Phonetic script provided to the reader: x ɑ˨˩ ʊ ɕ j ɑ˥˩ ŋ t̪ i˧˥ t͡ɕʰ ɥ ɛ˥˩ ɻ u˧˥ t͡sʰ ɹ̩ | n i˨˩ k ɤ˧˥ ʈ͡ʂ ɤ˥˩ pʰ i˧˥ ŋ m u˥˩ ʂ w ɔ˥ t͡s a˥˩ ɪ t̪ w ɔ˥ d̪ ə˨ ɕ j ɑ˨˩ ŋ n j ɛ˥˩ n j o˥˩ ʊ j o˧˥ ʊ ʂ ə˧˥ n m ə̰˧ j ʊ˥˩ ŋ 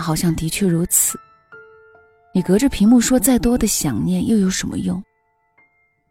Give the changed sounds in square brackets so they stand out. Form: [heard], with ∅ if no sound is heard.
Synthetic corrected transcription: x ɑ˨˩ ʊ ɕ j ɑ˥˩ ŋ t̪ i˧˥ t͡ɕʰ ɥ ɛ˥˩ ɻ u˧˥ t͡sʰ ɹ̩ | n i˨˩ k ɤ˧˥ ʈ͡ʂ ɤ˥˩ pʰ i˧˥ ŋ m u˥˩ ʂ w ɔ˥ t͡s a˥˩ ɪ t̪ w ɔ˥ d̪ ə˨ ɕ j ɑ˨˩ ŋ n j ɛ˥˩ n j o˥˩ ʊ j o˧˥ ʊ ʂ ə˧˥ n m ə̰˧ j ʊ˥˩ ŋ